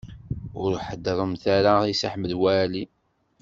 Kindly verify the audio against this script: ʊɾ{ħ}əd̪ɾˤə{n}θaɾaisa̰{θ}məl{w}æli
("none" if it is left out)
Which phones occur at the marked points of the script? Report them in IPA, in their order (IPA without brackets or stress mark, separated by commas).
ħ, m, ħ, w